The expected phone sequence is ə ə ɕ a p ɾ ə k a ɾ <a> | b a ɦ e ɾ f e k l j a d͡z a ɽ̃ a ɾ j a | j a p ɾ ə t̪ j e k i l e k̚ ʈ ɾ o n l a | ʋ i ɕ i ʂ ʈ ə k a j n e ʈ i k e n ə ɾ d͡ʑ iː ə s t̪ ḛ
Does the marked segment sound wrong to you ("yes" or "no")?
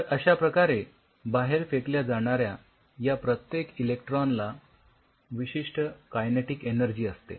yes